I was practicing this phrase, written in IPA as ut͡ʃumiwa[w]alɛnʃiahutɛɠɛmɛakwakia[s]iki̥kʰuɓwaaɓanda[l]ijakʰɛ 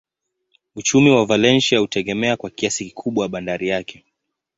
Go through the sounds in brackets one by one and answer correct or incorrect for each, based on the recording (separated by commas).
incorrect, correct, incorrect